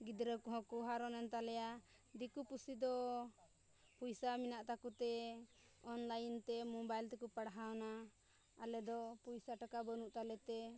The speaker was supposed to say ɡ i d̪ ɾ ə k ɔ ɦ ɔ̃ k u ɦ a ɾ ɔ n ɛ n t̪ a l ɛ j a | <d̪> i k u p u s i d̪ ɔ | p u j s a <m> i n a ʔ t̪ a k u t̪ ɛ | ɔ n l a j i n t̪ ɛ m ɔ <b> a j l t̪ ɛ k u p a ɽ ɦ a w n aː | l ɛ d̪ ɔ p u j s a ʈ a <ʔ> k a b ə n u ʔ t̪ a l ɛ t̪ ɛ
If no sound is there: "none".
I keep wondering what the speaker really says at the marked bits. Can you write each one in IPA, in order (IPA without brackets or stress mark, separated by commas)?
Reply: d̪, m, b, none